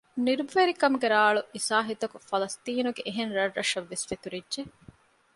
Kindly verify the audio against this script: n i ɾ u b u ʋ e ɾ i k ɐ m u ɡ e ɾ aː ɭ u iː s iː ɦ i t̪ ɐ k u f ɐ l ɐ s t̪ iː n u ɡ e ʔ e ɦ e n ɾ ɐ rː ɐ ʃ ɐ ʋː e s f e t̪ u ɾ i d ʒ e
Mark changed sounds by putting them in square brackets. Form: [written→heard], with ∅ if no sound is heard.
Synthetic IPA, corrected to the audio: n i ɾ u b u ʋ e ɾ i k ɐ m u ɡ e ɾ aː ɭ u [iː→i] s [iː→aː] ɦ i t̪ ɐ k u f ɐ l ɐ s t̪ iː n u ɡ e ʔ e ɦ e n ɾ ɐ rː ɐ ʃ ɐ ʋː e s f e t̪ u ɾ i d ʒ e